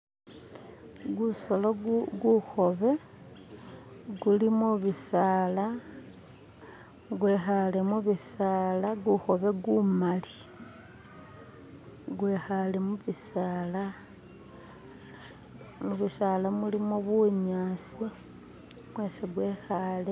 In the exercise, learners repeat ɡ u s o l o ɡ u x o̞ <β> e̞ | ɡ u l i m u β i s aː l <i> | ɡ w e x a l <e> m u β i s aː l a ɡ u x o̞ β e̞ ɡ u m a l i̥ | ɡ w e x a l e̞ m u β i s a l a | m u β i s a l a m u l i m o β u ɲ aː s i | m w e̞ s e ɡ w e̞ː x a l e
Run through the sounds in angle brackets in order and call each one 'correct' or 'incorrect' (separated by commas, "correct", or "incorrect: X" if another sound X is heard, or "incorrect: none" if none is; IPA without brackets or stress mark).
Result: correct, incorrect: a, correct